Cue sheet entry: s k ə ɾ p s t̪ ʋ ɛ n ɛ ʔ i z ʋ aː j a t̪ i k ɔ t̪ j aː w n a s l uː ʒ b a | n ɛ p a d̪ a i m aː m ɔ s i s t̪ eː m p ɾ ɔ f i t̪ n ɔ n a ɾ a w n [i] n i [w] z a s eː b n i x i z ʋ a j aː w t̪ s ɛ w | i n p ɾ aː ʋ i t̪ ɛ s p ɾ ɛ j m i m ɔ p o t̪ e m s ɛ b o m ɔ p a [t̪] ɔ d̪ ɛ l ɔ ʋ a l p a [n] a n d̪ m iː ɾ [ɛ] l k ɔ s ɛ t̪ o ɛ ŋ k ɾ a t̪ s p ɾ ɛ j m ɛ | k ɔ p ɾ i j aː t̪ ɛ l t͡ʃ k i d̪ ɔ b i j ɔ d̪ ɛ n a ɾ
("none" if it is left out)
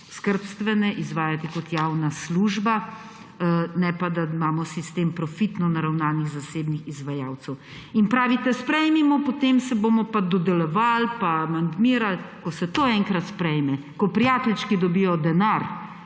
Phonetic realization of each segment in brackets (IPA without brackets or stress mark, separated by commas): a, ɣ, d̪, m, a